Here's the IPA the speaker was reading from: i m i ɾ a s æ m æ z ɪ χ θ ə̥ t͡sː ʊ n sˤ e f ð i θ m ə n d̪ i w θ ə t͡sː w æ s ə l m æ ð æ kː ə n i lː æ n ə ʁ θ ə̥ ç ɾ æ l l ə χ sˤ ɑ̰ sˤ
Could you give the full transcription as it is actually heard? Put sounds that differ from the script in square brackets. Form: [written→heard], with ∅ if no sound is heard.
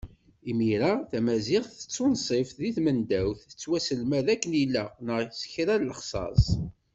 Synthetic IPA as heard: i m i ɾ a [s→θ] æ m æ z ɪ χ θ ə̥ t͡sː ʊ n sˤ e f ð i θ m ə n d̪ [i→æ] w θ ə t͡sː w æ s ə l m æ ð æ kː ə n i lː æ n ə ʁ [θ→s] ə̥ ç ɾ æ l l ə χ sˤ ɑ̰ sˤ

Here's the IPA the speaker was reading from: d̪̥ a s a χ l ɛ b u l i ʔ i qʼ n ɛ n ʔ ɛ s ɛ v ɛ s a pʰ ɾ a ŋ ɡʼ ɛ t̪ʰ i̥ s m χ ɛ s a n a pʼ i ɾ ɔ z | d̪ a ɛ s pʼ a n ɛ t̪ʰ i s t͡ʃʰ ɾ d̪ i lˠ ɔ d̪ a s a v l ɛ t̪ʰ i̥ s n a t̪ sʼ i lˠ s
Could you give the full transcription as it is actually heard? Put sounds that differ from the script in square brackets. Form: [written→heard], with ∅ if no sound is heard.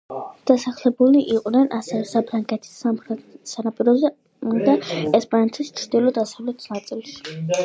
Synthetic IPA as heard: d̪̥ a s a χ l ɛ b u l i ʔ i qʼ n ɛ n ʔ [ɛ→a] s ɛ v ɛ s a pʰ ɾ a ŋ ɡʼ ɛ t̪ʰ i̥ s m χ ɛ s a n a pʼ i ɾ ɔ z | d̪ a ɛ s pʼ a n ɛ t̪ʰ i s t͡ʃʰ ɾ d̪ i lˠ ɔ d̪ a s a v l ɛ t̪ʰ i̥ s n a t̪ sʼ i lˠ s

